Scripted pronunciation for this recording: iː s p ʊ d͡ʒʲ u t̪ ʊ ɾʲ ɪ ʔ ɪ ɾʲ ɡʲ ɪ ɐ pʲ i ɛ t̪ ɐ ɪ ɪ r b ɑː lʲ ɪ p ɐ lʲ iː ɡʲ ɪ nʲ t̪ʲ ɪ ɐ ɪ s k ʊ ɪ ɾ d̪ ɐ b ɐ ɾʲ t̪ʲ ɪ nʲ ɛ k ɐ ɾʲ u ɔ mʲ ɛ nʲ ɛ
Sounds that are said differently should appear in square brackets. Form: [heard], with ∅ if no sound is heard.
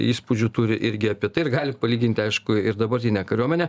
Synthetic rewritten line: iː s p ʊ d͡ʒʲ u t̪ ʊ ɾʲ ɪ ʔ ɪ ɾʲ ɡʲ ɪ ɐ pʲ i ɛ t̪ ɐ ɪ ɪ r [ɡ] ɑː lʲ ɪ p ɐ lʲ iː ɡʲ ɪ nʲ t̪ʲ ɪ ɐ ɪ [ʃ] k ʊ ɪ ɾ d̪ ɐ b ɐ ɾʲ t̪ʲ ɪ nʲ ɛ k ɐ ɾʲ u ɔ mʲ ɛ nʲ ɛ